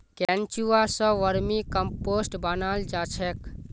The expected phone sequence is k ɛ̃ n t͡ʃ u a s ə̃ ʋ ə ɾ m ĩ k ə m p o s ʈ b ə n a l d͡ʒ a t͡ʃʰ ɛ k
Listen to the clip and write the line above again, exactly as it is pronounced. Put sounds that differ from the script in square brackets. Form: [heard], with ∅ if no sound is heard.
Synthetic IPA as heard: k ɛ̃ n t͡ʃ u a s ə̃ ʋ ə ɾ m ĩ k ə m p o s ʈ b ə n a l d͡ʒ a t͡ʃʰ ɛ k